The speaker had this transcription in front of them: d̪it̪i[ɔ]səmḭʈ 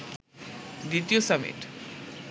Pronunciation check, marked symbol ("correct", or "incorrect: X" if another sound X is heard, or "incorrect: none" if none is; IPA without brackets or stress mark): incorrect: o